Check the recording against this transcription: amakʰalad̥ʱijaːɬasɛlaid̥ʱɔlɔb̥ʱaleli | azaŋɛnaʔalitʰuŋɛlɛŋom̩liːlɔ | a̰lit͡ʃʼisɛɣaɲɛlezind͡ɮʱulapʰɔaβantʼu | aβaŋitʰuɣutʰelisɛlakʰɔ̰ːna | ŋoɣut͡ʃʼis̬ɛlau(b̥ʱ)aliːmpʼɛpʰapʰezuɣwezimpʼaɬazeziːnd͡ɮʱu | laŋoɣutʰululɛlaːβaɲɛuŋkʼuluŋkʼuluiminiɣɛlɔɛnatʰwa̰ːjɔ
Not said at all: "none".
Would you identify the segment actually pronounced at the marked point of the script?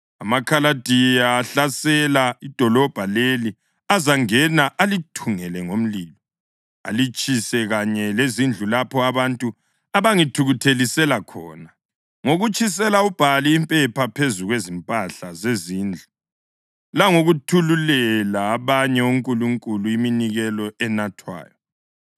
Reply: b̥ʱ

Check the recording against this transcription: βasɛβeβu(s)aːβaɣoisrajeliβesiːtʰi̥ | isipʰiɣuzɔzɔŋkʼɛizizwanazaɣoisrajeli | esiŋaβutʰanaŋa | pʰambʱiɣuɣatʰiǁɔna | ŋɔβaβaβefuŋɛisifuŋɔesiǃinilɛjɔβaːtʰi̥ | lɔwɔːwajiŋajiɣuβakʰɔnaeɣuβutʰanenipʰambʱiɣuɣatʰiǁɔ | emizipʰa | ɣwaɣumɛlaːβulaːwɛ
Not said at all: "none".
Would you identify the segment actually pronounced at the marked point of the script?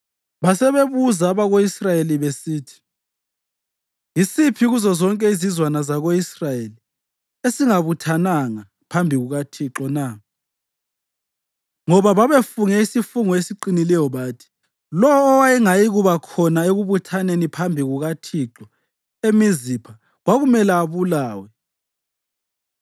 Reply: z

